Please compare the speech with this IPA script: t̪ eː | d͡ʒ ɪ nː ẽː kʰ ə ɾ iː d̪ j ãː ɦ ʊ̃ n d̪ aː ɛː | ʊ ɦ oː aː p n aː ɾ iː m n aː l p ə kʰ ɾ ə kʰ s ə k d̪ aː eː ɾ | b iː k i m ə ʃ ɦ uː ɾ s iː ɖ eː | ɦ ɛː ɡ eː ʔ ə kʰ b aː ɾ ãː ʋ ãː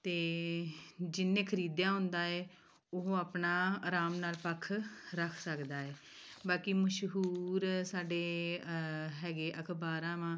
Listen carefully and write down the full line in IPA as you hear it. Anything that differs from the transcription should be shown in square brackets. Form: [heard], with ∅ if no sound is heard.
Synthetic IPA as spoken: t̪ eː | d͡ʒ ɪ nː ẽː kʰ ə ɾ iː d̪ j ãː ɦ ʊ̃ n d̪ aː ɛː | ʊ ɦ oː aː p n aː ɾ [aː] m n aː l p ə kʰ ɾ ə kʰ s ə k d̪ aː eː [∅] | b [aː] k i m ə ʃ ɦ uː ɾ s [aː] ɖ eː | ɦ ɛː ɡ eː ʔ ə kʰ b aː ɾ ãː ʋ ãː